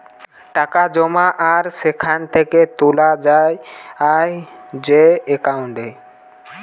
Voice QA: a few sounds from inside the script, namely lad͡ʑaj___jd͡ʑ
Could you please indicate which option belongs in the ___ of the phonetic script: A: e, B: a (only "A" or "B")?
B